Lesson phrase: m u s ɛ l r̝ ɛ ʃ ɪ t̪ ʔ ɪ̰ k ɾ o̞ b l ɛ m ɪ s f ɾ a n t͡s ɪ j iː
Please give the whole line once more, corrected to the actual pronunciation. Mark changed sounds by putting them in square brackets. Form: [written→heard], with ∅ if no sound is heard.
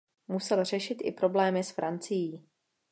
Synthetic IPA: m u s ɛ l r̝ ɛ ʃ ɪ t̪ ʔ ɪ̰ [k→p] ɾ o̞ b l [ɛ→ɛː] m ɪ s f ɾ a n t͡s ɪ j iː